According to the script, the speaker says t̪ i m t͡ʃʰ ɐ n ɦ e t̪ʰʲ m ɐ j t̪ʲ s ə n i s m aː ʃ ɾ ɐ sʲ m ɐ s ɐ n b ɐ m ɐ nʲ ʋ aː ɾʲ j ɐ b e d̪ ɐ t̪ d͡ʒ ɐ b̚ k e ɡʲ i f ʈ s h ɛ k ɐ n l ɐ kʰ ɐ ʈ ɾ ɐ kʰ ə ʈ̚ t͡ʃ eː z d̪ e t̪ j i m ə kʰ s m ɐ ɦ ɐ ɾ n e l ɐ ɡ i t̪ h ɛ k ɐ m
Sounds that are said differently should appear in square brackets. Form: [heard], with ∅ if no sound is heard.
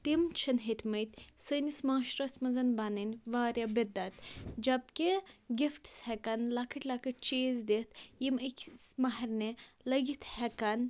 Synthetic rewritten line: t̪ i m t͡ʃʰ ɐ n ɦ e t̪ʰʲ m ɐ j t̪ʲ s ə n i s m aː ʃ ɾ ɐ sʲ m ɐ [z] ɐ n b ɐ [n] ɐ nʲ ʋ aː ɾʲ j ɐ b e d̪ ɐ t̪ d͡ʒ ɐ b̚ k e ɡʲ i f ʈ s h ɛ k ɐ n l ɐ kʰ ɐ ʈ [l] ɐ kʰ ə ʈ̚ t͡ʃ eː z d̪ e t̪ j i m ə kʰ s m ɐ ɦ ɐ ɾ n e l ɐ ɡ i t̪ h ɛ k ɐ [n]